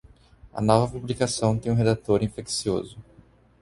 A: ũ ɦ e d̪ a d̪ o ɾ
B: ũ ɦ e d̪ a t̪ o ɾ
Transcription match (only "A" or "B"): B